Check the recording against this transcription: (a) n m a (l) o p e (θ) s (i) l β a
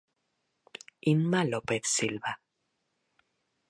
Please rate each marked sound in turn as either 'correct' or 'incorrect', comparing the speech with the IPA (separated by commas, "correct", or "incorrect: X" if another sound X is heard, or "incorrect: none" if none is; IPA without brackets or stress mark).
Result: incorrect: i, correct, correct, correct